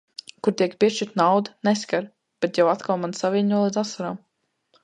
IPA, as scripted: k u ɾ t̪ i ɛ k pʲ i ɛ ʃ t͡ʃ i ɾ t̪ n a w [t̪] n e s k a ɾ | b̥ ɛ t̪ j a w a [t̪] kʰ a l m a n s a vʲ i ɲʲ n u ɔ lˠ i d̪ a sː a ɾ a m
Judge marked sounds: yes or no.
no, yes

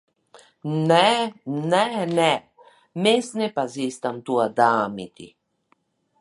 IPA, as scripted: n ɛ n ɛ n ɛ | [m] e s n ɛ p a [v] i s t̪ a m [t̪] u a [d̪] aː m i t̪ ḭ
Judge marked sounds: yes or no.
yes, no, yes, yes

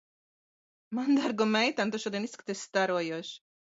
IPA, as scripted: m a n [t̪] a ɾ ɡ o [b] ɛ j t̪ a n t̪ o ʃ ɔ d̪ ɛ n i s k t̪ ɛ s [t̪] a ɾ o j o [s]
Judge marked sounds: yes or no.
no, no, yes, no

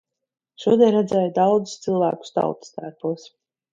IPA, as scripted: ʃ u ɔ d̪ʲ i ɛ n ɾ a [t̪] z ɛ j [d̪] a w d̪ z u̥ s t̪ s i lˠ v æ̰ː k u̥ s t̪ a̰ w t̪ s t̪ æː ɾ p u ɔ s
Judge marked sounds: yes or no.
no, yes

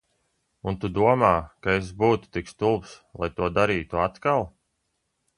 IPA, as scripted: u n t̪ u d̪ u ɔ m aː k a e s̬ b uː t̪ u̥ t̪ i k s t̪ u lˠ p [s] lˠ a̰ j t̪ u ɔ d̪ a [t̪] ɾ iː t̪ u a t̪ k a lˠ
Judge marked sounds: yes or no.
yes, no

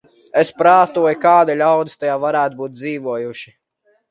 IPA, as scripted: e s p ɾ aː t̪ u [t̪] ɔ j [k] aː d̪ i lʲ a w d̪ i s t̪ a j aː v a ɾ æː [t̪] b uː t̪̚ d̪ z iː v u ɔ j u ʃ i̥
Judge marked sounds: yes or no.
no, yes, yes

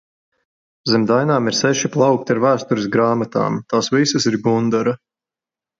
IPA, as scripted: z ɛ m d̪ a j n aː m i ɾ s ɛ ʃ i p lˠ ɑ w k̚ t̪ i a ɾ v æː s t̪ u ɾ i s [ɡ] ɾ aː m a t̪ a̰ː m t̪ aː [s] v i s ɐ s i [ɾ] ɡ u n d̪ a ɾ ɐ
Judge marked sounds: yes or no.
yes, yes, yes

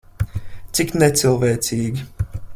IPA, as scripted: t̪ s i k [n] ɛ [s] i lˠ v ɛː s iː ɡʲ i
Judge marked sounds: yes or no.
yes, yes

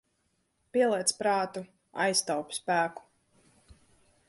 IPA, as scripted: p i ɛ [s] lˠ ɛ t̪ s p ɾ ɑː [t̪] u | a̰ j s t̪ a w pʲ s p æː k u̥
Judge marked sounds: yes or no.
no, yes

